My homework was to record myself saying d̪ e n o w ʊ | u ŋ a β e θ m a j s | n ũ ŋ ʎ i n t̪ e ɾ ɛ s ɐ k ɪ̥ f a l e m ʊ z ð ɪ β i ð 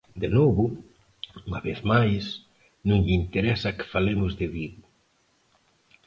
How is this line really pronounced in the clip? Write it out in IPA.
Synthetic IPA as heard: d̪ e n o β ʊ | u ŋ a β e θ m a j s | n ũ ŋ ʎ i n t̪ e ɾ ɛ s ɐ k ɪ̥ f a l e m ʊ z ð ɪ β i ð